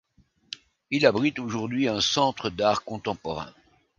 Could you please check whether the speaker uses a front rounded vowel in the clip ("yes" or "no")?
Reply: no